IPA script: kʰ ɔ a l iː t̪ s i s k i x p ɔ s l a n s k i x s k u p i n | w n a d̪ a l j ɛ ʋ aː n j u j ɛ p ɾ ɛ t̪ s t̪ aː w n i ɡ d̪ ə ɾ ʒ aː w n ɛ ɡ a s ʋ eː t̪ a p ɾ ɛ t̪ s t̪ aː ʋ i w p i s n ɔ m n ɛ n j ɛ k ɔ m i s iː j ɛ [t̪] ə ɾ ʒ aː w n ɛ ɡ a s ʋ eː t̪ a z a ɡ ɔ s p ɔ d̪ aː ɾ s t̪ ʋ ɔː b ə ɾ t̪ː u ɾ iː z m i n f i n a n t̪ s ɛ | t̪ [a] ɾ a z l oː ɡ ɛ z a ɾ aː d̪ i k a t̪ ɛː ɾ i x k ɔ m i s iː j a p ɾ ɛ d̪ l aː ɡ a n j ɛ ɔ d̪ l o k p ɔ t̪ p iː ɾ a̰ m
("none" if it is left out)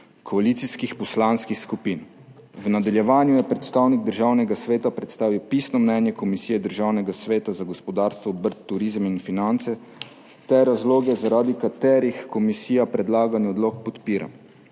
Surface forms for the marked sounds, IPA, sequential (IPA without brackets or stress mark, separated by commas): d̪, ɛ